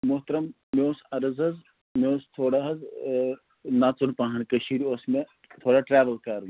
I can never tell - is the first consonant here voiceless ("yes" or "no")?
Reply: no